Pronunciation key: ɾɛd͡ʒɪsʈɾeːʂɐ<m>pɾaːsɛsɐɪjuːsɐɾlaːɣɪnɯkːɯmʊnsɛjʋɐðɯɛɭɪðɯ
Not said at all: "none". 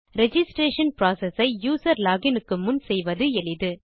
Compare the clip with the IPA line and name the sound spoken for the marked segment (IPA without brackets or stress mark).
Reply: n